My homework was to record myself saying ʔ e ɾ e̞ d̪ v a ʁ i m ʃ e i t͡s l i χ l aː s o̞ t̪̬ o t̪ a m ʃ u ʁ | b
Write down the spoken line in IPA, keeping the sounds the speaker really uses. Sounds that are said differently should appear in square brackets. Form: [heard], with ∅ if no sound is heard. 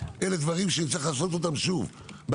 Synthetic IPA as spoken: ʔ e [l] e̞ d̪ v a ʁ i m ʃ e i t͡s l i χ l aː s o̞ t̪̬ o t̪ a m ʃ u [v] | b